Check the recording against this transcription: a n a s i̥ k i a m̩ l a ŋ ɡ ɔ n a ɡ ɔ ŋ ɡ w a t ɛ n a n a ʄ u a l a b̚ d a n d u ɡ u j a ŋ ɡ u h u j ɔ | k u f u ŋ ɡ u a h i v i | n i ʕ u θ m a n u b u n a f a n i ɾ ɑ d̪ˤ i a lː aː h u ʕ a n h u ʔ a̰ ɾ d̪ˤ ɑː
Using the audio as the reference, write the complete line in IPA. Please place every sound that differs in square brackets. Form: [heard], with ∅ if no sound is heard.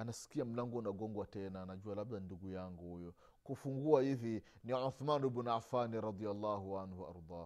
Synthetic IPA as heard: a n a s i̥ k i a m̩ l a ŋ ɡ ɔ n a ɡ ɔ ŋ ɡ w a t ɛ n a n a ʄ u a l a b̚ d a n d u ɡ u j a ŋ ɡ u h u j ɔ | k u f u ŋ ɡ u a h i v i | n i ʕ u θ m a n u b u n a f a n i ɾ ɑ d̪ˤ i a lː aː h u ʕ a n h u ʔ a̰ ɾ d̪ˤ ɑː